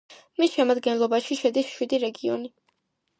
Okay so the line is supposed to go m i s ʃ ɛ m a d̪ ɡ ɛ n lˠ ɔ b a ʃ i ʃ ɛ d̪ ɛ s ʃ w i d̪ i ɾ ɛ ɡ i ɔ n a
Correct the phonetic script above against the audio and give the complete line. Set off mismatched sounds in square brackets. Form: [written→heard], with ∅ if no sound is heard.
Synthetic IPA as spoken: m i s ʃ ɛ m a d̪ ɡ ɛ n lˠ ɔ b a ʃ i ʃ ɛ d̪ [ɛ→i] s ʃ w i d̪ i ɾ ɛ ɡ i ɔ n [a→i]

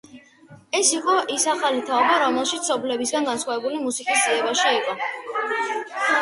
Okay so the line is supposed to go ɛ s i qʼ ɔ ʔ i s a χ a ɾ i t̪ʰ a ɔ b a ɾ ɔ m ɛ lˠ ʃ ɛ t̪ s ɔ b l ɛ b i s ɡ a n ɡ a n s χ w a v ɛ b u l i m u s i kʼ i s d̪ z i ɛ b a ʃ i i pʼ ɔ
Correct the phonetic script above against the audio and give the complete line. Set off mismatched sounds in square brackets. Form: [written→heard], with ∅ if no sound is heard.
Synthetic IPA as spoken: ɛ s i qʼ ɔ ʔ i s a χ a [ɾ→l] i t̪ʰ a ɔ b a ɾ ɔ m ɛ lˠ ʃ [ɛ→i] t̪ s ɔ b l ɛ b i s ɡ a n ɡ a n s χ w a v ɛ b u l i m u s i kʼ i s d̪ z i ɛ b a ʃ i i [pʼ→qʼ] ɔ

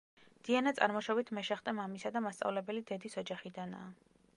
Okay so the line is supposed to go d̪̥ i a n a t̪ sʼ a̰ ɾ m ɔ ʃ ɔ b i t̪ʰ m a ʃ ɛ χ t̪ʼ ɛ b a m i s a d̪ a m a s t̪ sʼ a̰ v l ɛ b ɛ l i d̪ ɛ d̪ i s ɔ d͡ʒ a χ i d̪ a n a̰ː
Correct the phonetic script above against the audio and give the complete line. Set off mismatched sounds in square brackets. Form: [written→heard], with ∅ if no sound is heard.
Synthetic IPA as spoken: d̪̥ i a n a t̪ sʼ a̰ ɾ m ɔ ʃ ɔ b i t̪ʰ m [a→ɛ] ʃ ɛ χ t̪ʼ ɛ [b→m] a m i s a d̪ a m a s t̪ sʼ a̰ v l ɛ b ɛ l i d̪ ɛ d̪ i s ɔ d͡ʒ a χ i d̪ a n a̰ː

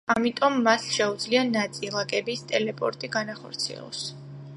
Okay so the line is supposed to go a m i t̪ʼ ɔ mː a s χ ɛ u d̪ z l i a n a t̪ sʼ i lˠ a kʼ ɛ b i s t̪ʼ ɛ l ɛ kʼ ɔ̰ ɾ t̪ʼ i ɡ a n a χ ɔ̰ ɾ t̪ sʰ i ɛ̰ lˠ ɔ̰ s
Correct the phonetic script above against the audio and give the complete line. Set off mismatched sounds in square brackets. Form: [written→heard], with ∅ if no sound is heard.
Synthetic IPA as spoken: a m i t̪ʼ ɔ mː a s [χ→ʃ] ɛ u d̪ z l i a n a t̪ sʼ i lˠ a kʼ ɛ b i s t̪ʼ ɛ l ɛ [kʼ→pʼ] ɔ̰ ɾ t̪ʼ i ɡ a n a χ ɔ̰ ɾ t̪ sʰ i ɛ̰ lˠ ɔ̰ s

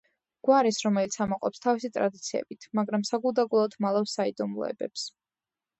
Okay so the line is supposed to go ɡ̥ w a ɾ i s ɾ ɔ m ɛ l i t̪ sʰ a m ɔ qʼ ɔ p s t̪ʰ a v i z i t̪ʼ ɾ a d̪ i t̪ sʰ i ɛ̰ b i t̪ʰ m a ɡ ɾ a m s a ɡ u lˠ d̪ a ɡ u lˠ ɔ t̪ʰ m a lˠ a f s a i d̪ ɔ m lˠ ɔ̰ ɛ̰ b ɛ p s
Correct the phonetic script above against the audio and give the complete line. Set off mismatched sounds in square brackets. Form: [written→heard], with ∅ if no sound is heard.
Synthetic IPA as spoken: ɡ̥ w a ɾ i s ɾ ɔ m ɛ l i t̪ sʰ a m ɔ qʼ ɔ p s t̪ʰ a v i [z→s] i t̪ʼ ɾ a d̪ i t̪ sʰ i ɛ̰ b i t̪ʰ m a ɡ ɾ a m s a ɡ u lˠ d̪ a ɡ u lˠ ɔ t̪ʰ m a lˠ a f s a i d̪ ɔ m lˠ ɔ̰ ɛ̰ b ɛ p s

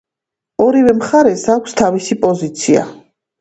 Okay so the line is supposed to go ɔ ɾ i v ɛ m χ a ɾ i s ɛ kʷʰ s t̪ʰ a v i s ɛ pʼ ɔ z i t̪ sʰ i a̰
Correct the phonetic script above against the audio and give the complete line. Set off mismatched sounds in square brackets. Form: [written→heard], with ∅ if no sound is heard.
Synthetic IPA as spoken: ɔ ɾ i v ɛ m χ a ɾ [i→ɛ] s [ɛ→a] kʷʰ s t̪ʰ a v i s [ɛ→i] pʼ ɔ z i t̪ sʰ i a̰

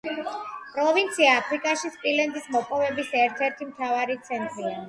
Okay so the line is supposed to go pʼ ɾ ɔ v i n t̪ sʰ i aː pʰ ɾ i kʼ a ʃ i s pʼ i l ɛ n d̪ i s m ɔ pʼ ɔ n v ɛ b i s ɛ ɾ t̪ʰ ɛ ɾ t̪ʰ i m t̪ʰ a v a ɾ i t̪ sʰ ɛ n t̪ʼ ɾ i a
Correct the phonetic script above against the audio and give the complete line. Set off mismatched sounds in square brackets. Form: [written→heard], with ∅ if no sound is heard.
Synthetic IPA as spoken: pʼ ɾ ɔ v i n t̪ sʰ i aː pʰ ɾ i kʼ a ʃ i s pʼ i l ɛ n d̪ i s m ɔ pʼ ɔ [n→∅] v ɛ b i s ɛ ɾ t̪ʰ ɛ ɾ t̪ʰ i m t̪ʰ a v a ɾ i t̪ sʰ ɛ n t̪ʼ ɾ i a

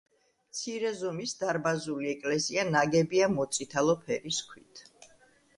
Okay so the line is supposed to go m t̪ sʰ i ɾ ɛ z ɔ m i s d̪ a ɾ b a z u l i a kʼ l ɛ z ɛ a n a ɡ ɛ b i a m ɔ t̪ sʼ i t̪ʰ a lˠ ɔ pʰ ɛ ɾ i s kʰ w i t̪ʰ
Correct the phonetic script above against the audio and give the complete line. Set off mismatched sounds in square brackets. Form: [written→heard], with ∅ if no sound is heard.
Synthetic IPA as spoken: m t̪ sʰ i ɾ ɛ z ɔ m i s d̪ a ɾ b a z u l i [a→ɛ] kʼ l ɛ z [ɛ→i] a n a ɡ ɛ b i a m ɔ t̪ sʼ i t̪ʰ a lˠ ɔ pʰ ɛ ɾ i s kʰ w i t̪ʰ

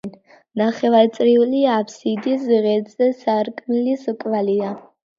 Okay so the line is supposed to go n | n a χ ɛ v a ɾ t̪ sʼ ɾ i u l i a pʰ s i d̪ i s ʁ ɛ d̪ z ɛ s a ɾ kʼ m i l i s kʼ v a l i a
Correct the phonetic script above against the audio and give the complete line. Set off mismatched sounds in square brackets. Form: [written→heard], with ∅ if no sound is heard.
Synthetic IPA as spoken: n | n a χ ɛ v a ɾ t̪ sʼ ɾ i u l i a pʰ s i d̪ i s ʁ ɛ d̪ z ɛ s a ɾ kʼ m i l i s kʼ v a l i a

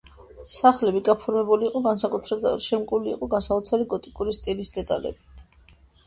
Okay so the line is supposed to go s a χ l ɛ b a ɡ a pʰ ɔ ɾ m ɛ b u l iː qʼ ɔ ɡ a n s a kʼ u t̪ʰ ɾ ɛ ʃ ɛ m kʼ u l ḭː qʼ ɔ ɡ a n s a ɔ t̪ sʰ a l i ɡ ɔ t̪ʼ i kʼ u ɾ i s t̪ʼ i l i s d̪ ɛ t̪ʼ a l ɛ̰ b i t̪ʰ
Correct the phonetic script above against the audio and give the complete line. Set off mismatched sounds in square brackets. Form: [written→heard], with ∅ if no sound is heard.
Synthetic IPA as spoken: s a χ l ɛ b [a→i] ɡ a pʰ ɔ ɾ m ɛ b u l iː qʼ ɔ ɡ a n s a kʼ u t̪ʰ ɾ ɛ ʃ ɛ m kʼ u l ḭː qʼ ɔ ɡ a n s a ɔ t̪ sʰ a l i ɡ ɔ t̪ʼ i kʼ u ɾ i s t̪ʼ i l i s d̪ ɛ t̪ʼ a l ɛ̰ b i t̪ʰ

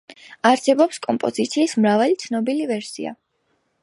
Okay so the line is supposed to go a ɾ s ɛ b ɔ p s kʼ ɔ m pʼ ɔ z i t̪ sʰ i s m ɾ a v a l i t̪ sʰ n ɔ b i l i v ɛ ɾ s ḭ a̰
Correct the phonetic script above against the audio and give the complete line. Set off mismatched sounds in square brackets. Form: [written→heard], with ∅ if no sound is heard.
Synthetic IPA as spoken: a ɾ s ɛ b ɔ p s kʼ ɔ m pʼ ɔ z i t̪ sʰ [i→iː] s m ɾ a v a l i t̪ sʰ n ɔ b i l i v ɛ ɾ s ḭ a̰

